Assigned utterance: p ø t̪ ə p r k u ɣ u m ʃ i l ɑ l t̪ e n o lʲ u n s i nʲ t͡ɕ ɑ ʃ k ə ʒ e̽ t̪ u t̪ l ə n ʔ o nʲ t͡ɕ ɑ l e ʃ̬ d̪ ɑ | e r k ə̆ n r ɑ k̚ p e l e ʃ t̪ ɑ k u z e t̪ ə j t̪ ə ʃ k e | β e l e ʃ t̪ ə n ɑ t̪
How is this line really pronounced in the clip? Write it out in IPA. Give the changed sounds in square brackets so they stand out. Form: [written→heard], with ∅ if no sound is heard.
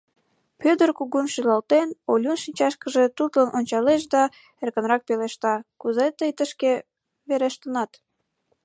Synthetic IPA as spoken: p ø [t̪→d̪] ə [p→∅] r k u ɣ u m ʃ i l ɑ l t̪ e n o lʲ u n [s→ʃ] i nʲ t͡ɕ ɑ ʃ k ə ʒ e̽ t̪ u t̪ l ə n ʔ o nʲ t͡ɕ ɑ l e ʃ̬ d̪ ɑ | e r k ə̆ n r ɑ k̚ p e l e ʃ t̪ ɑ k u z e t̪ ə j t̪ ə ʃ k e | β e [l→ɾ] e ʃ t̪ ə n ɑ t̪

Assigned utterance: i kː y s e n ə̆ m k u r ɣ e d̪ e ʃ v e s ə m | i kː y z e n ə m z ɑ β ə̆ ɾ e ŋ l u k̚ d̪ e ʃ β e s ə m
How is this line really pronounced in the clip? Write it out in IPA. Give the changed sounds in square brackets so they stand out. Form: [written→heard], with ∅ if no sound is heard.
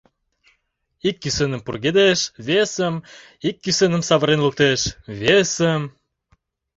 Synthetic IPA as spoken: i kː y s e n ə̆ m [k→p] u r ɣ e d̪ e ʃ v e s ə m | i kː y [z→s] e n ə m [z→s] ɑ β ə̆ ɾ e [ŋ→n] l u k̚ [d̪→t̪] e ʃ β e s ə m

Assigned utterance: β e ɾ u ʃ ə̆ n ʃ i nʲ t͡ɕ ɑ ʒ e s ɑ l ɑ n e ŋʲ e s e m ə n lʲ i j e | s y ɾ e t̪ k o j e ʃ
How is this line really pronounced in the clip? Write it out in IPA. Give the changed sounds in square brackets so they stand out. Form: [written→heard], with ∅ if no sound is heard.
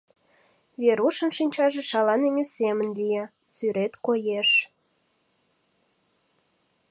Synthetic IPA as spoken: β e ɾ u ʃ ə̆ n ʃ i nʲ t͡ɕ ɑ ʒ e [s→ʃ] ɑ l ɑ n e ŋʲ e s e m ə n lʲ i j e | s y ɾ e t̪ k o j e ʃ

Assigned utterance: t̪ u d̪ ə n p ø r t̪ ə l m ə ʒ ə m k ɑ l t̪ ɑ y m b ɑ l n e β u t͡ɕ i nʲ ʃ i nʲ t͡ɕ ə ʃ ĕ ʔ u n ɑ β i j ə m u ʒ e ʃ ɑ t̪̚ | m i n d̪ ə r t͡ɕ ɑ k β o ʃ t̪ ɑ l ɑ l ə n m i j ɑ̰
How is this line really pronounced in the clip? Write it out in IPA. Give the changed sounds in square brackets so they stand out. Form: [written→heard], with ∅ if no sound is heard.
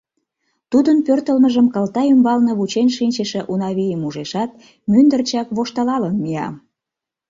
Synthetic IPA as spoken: t̪ u d̪ ə n p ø r t̪ ə l m ə ʒ ə m k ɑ l t̪ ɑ y m b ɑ l n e β u t͡ɕ [i→e] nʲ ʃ i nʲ t͡ɕ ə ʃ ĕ ʔ u n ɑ β i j ə m u ʒ e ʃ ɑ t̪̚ | m [i→y] n d̪ ə r t͡ɕ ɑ k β o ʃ t̪ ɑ l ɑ l ə n m i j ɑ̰

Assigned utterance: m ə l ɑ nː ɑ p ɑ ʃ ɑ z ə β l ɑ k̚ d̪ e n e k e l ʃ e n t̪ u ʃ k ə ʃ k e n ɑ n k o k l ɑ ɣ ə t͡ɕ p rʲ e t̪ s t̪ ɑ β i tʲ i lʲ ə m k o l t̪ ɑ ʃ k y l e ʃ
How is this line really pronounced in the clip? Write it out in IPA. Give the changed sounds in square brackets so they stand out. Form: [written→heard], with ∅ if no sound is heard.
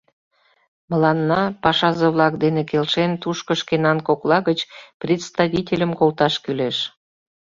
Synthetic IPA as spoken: m ə l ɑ nː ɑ p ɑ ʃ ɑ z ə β l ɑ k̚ d̪ e n e k e l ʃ e n t̪ u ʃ k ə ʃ k e n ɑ n k o k l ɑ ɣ ə t͡ɕ p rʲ e t̪ s t̪ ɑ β i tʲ [i→e] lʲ ə m k o l t̪ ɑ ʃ k y l e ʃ

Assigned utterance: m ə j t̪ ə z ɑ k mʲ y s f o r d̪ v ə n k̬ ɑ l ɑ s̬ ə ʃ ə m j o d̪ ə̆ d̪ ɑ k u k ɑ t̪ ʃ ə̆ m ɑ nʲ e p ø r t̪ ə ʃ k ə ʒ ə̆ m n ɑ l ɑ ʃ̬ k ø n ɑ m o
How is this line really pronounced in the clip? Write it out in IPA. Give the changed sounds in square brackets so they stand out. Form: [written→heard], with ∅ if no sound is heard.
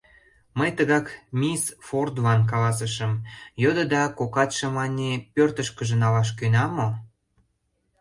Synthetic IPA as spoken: m ə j t̪ ə [z→ɣ] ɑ k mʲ [y→i] s f o r d̪ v [ə→ɑ] n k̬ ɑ l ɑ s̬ ə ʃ ə m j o d̪ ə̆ d̪ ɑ k [u→o] k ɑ t̪ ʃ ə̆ m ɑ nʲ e p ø r t̪ ə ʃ k ə ʒ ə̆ [m→∅] n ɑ l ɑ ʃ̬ k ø n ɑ m o

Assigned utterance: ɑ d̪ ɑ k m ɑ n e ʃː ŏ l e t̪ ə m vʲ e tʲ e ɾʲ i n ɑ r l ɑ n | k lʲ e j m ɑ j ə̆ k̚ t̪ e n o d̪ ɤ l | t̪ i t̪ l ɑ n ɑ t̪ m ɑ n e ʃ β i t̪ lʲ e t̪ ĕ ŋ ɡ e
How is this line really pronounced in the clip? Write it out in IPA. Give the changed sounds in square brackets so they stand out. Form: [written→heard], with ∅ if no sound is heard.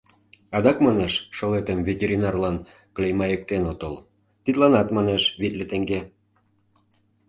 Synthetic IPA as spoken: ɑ d̪ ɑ k m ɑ n e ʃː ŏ l e t̪ ə m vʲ e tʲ e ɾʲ i n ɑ r l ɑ n | k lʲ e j m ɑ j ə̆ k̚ t̪ e n o [d̪→t̪] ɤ l | t̪ i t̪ l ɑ n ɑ t̪ m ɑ n e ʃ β i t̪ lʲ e t̪ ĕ ŋ ɡ e

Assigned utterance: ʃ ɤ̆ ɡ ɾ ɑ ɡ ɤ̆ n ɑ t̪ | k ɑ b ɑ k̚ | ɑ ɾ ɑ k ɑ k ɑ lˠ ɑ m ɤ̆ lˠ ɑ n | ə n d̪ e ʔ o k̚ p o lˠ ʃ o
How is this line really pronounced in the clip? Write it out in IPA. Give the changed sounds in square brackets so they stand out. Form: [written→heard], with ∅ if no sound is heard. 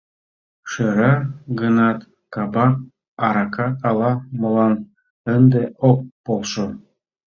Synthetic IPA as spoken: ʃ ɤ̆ [ɡ→∅] ɾ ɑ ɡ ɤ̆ n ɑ t̪ | k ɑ b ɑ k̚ | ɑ ɾ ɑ k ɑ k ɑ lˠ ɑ m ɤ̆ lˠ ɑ n | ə n d̪ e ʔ o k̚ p o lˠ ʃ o

